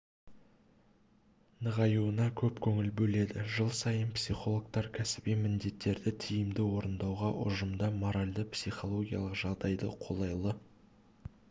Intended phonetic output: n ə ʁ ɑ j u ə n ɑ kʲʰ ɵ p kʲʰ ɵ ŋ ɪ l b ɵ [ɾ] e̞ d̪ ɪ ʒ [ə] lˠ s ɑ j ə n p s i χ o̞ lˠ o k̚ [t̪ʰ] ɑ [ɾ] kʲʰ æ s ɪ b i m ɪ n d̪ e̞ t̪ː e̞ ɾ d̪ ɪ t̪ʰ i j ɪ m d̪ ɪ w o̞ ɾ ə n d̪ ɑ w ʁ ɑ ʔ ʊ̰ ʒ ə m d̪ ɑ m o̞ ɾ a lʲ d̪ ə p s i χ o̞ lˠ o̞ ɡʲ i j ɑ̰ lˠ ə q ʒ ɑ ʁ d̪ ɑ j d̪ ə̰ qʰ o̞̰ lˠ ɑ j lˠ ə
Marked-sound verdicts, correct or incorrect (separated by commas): incorrect, correct, incorrect, correct